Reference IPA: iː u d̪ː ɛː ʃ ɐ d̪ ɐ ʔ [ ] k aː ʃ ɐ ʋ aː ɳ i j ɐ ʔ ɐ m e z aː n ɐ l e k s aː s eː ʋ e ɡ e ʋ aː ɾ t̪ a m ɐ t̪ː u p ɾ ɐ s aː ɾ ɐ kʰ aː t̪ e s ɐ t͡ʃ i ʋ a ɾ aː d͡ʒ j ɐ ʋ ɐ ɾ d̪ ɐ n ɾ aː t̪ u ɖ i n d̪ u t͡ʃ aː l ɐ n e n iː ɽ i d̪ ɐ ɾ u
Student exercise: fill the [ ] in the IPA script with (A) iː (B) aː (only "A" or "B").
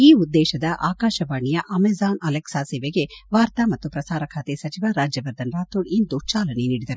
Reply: B